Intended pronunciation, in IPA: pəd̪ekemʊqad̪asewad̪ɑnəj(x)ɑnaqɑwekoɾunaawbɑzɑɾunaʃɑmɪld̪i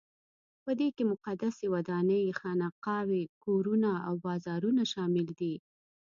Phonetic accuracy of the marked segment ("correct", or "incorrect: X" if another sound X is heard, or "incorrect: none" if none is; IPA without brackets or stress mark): correct